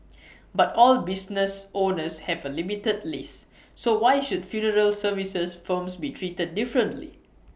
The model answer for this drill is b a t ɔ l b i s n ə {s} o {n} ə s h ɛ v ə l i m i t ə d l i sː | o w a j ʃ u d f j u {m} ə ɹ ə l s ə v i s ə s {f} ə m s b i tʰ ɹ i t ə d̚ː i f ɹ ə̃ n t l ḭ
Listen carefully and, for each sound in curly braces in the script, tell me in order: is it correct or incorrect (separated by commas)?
correct, correct, incorrect, correct